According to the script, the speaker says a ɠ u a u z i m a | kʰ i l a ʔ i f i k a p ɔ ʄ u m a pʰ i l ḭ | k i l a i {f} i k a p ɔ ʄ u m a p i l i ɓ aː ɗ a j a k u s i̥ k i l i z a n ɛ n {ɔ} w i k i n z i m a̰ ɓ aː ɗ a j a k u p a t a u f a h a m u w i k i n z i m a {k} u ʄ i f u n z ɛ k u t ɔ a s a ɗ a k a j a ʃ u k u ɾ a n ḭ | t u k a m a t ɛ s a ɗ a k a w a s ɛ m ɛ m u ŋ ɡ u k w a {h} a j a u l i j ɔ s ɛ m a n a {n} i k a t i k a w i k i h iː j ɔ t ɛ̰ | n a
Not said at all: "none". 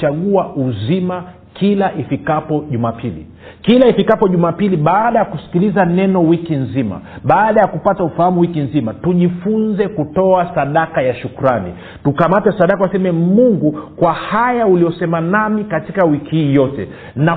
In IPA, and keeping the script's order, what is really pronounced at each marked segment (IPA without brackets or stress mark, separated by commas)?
f, ɔ, t, h, m